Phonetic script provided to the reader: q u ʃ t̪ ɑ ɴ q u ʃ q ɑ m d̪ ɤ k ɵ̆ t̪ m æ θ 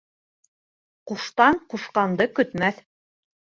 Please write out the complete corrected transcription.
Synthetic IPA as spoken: q u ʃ t̪ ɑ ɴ q u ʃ q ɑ n d̪ ɤ k ɵ̆ t̪ m æ θ